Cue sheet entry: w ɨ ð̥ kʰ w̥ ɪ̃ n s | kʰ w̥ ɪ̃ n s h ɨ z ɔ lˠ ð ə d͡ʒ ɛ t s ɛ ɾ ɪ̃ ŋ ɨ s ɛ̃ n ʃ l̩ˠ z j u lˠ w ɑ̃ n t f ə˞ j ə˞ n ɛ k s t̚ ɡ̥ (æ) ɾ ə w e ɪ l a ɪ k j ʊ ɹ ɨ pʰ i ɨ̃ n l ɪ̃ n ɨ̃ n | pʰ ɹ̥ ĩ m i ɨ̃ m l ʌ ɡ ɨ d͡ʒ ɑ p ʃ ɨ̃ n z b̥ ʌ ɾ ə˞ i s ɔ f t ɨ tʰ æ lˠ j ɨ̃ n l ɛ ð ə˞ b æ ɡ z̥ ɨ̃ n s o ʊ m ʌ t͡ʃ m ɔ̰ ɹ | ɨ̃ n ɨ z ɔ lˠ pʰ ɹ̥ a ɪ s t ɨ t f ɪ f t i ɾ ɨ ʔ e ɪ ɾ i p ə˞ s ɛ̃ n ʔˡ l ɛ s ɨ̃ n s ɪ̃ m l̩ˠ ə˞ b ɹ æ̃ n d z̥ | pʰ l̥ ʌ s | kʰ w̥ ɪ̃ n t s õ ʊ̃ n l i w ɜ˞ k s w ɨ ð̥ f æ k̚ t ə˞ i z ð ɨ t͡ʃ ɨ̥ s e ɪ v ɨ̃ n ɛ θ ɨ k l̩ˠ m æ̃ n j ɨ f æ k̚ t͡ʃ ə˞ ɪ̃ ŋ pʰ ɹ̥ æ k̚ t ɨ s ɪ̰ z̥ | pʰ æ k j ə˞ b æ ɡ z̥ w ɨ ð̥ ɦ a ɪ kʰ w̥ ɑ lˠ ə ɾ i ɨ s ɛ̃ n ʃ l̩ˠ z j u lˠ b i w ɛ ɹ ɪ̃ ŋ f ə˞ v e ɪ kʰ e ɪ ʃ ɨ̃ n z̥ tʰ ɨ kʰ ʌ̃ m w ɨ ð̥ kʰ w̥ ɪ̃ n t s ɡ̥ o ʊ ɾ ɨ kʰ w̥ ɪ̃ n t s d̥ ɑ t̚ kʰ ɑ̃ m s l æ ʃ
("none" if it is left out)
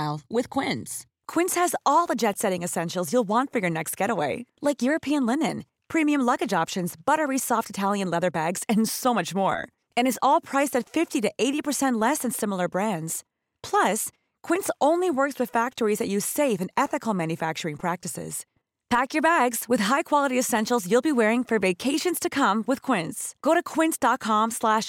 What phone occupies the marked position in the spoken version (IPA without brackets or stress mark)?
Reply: ɛ